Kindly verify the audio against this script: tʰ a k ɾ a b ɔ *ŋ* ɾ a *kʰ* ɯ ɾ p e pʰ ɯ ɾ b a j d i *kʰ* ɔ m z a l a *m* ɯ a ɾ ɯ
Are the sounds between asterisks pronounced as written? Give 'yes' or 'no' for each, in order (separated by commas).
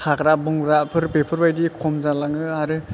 yes, no, yes, no